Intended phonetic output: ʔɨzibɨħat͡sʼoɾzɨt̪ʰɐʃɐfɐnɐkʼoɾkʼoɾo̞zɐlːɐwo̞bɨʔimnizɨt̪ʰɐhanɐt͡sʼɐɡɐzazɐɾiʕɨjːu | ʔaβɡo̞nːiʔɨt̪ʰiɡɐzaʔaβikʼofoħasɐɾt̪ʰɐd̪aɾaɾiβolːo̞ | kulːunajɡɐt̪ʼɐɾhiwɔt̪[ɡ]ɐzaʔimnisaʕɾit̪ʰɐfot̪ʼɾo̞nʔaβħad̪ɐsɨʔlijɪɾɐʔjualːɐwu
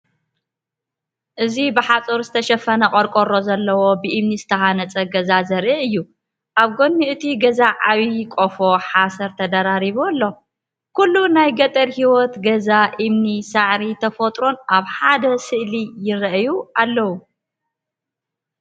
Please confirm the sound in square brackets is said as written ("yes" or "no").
yes